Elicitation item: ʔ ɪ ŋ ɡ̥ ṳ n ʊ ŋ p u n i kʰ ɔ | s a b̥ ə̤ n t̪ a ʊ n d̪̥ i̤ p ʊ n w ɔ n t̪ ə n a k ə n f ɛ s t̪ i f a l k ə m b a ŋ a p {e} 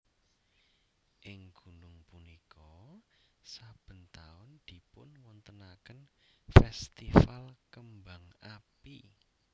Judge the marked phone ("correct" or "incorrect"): incorrect